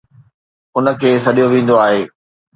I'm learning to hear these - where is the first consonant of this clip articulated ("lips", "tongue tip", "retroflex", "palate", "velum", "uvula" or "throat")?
tongue tip